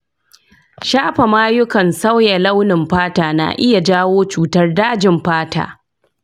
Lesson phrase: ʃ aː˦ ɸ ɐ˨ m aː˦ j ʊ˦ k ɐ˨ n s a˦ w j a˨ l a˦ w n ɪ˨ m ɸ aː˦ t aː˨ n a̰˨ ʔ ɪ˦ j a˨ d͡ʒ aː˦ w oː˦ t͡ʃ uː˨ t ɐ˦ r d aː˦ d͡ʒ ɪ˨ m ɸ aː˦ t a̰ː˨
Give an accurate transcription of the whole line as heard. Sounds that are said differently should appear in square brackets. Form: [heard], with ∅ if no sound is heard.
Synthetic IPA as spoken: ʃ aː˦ ɸ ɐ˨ m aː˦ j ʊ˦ k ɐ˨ n s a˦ w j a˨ l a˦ w n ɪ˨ m ɸ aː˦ t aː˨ n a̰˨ ʔ ɪ˦ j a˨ d͡ʒ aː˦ w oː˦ t͡ʃ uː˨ t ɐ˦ r d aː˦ d͡ʒ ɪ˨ m ɸ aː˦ t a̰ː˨